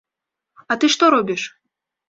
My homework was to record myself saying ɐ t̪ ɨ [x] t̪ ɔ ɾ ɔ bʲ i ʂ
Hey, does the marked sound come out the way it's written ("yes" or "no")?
no